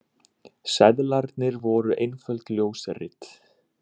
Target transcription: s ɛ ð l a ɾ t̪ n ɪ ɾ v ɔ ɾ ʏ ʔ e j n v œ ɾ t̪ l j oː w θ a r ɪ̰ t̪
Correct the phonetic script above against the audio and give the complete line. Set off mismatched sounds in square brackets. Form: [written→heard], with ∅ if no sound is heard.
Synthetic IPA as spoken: s ɛ ð l a ɾ t̪ n ɪ ɾ v ɔ ɾ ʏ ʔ e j n [v→f] œ [ɾ→l] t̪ l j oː w [θ→s] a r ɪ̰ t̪